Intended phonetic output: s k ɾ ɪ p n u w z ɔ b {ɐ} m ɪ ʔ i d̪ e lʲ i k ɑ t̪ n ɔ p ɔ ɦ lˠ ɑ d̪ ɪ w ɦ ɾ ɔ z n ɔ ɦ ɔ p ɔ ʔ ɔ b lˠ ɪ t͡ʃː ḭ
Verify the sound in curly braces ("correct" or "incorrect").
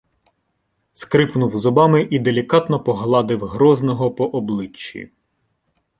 incorrect